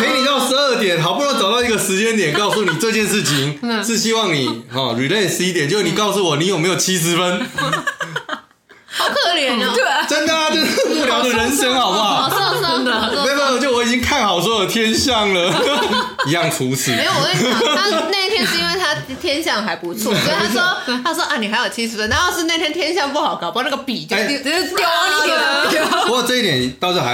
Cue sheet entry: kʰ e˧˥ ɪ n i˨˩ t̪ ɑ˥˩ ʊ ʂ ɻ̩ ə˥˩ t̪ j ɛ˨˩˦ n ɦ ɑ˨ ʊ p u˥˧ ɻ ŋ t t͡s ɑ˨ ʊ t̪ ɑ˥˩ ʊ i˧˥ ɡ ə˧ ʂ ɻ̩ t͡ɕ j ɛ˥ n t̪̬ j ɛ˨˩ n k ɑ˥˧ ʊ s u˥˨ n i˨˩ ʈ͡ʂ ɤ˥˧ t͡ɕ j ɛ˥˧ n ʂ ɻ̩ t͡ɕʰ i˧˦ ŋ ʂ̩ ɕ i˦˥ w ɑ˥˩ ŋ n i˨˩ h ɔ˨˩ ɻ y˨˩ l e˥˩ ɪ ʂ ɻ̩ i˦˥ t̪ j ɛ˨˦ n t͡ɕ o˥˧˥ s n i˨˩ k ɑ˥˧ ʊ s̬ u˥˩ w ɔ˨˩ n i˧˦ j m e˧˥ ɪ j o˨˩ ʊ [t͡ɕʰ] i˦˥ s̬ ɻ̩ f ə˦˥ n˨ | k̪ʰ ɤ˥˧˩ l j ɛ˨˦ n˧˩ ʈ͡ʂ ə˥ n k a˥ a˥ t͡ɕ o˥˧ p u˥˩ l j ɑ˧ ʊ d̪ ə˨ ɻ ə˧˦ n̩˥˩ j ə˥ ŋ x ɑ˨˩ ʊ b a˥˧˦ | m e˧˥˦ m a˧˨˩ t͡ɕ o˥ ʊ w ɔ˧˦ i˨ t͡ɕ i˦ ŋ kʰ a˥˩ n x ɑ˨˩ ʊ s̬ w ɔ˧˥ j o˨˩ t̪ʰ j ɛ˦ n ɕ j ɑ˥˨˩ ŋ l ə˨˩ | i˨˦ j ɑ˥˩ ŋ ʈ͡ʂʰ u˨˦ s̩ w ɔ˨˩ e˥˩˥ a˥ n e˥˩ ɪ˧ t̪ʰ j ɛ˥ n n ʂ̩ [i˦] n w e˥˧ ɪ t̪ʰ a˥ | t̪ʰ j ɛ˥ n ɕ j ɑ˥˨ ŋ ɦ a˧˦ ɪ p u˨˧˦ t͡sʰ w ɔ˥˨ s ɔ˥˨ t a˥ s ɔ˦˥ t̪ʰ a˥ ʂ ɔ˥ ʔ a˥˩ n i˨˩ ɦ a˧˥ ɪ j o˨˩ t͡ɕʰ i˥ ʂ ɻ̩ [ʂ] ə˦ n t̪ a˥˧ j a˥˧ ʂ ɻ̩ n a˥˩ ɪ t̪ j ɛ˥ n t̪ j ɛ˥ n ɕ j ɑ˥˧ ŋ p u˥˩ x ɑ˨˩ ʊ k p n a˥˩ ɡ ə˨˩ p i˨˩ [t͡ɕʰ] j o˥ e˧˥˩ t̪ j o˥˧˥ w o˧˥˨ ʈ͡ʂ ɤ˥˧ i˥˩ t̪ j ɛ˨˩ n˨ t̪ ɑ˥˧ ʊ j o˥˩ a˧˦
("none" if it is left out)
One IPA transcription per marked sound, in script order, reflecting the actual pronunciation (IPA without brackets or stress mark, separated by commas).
t͡ɕʰ, i˦, f, t͡ɕ